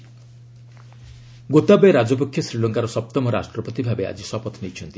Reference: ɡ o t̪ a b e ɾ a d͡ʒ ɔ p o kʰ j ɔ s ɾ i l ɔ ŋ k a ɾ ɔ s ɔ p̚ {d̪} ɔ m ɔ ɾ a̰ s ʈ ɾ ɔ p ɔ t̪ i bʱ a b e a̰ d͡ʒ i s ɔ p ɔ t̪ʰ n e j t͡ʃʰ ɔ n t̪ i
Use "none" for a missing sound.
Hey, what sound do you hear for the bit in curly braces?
t̪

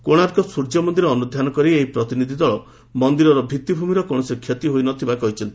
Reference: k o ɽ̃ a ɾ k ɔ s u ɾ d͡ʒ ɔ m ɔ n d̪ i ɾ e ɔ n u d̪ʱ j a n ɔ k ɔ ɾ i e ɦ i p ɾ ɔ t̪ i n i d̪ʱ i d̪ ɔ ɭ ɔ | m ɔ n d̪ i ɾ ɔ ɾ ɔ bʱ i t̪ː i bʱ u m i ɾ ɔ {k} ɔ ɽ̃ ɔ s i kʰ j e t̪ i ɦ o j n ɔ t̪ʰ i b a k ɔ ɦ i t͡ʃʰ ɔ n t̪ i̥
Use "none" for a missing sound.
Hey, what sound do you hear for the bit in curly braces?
k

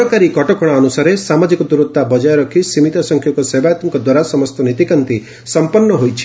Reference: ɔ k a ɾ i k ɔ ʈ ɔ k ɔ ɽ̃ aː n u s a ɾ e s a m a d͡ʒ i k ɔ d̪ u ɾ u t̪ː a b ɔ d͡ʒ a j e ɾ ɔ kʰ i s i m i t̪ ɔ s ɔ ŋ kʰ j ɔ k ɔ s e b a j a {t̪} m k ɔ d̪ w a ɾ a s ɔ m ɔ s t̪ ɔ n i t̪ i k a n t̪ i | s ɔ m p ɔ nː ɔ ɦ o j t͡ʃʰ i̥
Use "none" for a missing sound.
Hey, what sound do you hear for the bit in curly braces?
t̪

